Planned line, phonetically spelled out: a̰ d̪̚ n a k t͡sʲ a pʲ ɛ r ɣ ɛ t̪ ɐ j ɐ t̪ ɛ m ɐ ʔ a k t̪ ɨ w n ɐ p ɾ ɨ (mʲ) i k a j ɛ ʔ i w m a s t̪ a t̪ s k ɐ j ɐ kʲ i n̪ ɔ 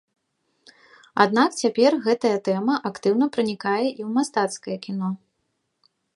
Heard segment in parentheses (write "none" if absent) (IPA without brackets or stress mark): nʲ